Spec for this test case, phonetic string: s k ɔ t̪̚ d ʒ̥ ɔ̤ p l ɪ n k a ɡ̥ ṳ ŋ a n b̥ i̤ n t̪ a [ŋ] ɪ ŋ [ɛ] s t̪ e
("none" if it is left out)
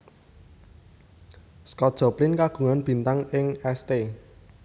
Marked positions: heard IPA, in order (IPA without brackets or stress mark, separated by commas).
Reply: ŋ, ɛ